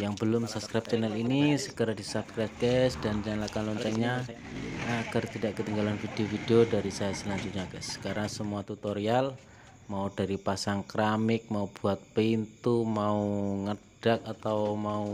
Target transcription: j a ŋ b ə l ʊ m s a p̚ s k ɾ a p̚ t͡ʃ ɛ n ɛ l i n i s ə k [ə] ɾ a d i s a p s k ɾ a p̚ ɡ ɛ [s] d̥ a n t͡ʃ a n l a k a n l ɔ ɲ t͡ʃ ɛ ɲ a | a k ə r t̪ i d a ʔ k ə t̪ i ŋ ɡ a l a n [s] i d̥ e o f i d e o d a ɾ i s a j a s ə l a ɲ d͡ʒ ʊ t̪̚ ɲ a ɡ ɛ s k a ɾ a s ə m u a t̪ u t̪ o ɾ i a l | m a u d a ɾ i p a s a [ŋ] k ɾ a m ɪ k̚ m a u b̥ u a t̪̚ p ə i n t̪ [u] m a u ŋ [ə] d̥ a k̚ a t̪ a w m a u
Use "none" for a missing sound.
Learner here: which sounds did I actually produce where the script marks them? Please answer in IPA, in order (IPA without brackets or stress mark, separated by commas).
ə, s, f, ŋ, u, ə